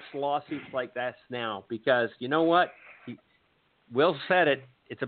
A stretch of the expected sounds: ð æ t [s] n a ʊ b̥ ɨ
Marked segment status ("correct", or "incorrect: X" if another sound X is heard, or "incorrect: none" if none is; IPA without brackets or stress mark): correct